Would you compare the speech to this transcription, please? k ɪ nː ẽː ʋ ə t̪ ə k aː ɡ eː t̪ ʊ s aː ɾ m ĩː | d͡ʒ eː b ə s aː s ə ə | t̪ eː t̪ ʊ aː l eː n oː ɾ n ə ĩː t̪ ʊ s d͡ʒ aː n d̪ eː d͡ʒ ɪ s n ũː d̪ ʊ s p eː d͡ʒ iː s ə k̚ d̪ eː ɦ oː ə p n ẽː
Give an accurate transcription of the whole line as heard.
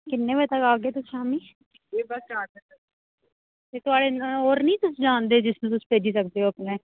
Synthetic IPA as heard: k ɪ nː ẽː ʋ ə t̪ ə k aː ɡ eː t̪ ʊ s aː m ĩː | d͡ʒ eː b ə s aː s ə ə | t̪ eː t̪ ʊ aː ɽ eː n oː ɾ n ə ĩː t̪ ʊ s d͡ʒ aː n d̪ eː d͡ʒ ɪ s n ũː t̪ ʊ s p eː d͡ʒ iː s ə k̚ d̪ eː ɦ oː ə p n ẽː